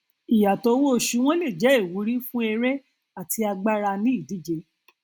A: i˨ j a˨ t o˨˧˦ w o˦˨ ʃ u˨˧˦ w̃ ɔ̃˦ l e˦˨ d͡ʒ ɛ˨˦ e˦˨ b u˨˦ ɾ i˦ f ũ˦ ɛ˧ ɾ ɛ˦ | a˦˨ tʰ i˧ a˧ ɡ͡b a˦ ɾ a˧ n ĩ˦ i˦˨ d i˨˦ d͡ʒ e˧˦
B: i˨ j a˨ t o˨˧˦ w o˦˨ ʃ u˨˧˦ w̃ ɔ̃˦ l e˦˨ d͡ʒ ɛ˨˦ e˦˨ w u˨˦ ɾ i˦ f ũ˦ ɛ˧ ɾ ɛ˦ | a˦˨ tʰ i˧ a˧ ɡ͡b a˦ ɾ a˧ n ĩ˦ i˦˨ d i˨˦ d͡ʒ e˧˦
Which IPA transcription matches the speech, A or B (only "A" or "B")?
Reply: B